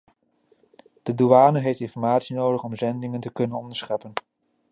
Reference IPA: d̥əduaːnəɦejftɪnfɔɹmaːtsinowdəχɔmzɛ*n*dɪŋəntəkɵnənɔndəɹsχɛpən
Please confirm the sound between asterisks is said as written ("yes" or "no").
yes